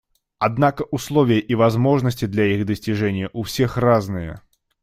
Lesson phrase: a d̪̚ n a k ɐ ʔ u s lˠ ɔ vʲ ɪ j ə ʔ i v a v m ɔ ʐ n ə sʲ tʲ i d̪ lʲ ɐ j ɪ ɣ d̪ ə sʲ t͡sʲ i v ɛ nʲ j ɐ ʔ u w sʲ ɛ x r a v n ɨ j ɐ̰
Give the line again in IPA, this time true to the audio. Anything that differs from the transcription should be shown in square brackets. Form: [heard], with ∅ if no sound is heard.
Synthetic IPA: a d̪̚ n a k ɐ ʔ u s lˠ ɔ vʲ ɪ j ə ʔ i v a [z] m ɔ ʐ n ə sʲ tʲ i d̪ lʲ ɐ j [i] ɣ d̪ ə sʲ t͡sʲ i [ʐ] ɛ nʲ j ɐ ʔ u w sʲ ɛ x r a [z] n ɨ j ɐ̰